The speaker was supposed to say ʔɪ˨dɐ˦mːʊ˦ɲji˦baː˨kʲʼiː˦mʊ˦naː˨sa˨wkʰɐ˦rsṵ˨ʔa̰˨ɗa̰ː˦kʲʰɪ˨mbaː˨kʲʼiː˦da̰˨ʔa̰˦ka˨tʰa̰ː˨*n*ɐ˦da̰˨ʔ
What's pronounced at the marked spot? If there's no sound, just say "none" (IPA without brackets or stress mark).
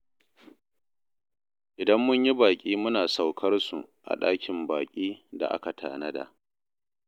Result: n